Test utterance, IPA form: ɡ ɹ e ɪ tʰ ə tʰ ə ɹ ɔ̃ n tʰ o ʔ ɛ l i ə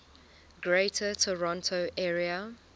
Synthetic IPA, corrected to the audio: ɡ ɹ e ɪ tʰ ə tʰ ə ɹ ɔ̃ n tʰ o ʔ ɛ ɹ i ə